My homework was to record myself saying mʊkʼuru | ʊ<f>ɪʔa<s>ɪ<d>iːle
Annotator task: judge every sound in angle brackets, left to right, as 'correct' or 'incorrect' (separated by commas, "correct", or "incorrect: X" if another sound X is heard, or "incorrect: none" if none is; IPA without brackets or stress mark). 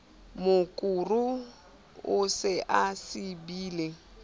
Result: incorrect: s, correct, incorrect: b